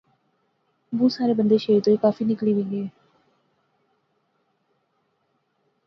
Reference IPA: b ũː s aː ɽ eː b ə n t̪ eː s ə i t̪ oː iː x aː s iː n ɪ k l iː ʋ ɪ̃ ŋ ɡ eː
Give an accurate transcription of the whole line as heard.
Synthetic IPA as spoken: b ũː s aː ɾ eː b ə n d̪ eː ʃ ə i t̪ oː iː k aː f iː n ɪ k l iː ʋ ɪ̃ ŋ ɡ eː